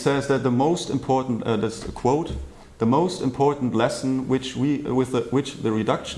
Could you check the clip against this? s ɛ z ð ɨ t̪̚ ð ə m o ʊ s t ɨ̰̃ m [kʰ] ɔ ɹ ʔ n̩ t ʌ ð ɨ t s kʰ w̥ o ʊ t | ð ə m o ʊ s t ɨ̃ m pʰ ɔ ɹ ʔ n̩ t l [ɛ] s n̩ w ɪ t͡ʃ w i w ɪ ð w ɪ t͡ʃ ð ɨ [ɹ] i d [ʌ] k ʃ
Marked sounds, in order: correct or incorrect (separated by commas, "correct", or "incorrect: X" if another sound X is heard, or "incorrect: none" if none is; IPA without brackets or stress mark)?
incorrect: pʰ, correct, correct, correct